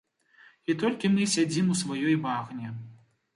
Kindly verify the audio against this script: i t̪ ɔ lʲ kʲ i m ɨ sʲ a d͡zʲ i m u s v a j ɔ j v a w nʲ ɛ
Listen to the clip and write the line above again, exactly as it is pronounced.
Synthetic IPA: i t̪ ɔ lʲ kʲ i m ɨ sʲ a d͡zʲ i m u s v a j ɔ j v a ɣ nʲ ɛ